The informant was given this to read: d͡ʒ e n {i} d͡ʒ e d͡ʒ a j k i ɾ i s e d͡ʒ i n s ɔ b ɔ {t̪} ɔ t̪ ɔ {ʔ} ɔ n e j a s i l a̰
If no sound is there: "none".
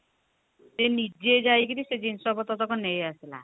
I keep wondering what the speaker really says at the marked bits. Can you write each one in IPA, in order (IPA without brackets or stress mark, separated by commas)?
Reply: i, t̪, k